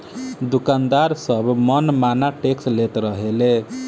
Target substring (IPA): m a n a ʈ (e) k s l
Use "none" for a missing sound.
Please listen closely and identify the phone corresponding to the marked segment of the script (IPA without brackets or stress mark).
e